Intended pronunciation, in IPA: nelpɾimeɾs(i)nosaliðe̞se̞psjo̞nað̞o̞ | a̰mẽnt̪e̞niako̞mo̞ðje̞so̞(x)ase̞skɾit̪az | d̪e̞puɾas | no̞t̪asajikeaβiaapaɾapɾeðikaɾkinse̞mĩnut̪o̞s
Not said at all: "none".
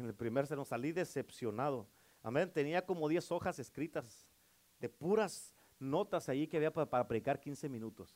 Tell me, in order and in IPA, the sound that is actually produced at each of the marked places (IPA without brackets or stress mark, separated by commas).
e, x